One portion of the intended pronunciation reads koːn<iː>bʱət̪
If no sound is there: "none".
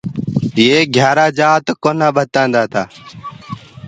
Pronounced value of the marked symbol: aː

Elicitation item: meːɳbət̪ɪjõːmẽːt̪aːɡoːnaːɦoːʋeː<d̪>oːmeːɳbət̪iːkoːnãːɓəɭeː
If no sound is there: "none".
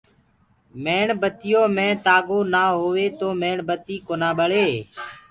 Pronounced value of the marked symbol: t̪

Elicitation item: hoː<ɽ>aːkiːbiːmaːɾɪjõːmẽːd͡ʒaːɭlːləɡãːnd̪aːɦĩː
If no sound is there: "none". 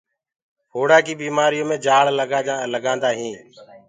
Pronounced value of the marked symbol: ɽ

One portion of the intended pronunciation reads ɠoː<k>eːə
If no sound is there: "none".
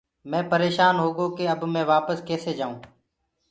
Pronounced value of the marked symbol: k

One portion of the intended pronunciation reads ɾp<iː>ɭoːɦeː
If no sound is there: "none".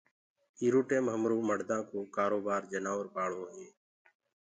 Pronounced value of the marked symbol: aː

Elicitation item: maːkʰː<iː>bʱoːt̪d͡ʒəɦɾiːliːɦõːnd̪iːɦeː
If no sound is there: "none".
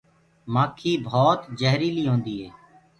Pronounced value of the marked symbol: iː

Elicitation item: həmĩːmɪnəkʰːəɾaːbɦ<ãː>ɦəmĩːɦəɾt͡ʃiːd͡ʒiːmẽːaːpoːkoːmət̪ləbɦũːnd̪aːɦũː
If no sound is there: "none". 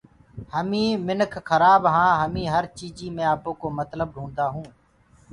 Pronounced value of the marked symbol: ãː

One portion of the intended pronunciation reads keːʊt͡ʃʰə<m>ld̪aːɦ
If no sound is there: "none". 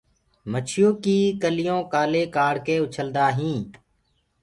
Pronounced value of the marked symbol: none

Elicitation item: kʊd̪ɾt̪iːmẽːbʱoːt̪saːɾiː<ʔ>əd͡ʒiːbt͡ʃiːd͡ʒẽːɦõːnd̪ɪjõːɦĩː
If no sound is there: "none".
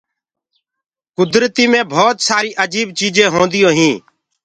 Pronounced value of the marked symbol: ʔ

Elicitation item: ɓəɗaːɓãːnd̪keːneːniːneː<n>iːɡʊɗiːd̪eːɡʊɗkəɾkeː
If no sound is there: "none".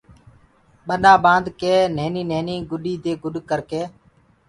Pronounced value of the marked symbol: n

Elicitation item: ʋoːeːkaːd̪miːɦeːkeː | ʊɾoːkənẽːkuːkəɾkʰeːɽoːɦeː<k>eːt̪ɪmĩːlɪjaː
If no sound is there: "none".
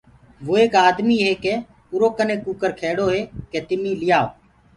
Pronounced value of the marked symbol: k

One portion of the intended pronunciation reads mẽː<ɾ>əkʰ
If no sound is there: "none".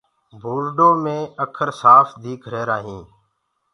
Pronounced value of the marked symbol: none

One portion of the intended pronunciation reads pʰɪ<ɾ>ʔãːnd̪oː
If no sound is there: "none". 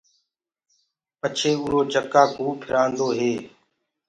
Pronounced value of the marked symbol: ɾ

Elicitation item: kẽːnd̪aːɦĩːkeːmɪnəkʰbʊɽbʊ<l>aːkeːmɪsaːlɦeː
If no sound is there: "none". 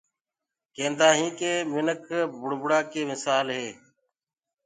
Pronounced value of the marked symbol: ɽ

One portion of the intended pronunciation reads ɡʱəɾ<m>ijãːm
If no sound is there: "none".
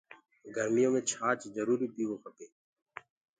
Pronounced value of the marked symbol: m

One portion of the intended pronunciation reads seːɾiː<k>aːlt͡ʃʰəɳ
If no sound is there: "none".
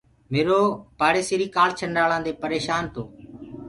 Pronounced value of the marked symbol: k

